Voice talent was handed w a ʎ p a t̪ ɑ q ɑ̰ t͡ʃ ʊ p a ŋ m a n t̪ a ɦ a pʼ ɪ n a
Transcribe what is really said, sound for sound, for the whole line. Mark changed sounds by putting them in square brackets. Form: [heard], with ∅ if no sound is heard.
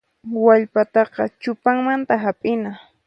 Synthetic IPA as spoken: w a ʎ p a t̪ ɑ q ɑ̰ t͡ʃ ʊ p a ŋ m a n t̪ a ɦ a pʼ ɪ n a